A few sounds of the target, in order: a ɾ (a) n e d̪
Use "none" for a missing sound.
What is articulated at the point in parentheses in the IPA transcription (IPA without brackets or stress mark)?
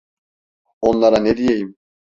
a